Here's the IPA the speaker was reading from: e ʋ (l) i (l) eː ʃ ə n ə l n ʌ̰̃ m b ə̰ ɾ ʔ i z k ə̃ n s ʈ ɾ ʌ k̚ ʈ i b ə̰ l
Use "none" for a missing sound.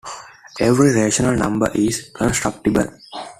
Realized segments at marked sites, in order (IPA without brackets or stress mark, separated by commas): ɾ, ɾ